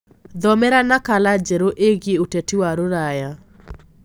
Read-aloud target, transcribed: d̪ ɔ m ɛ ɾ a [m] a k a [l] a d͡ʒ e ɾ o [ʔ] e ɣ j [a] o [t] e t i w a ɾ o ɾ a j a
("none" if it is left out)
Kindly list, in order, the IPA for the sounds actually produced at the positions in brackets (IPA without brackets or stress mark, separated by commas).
n, l, ʔ, e, t